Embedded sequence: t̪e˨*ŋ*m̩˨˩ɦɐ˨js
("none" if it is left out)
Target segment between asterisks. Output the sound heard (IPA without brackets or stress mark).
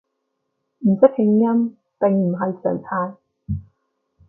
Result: ŋ